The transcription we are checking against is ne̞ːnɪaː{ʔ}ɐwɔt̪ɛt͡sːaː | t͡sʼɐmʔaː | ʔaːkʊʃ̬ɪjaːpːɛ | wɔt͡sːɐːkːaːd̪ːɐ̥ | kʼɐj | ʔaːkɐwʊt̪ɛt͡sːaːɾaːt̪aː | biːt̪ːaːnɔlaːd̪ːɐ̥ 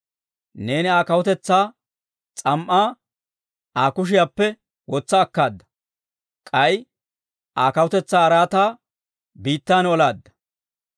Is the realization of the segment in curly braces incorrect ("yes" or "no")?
yes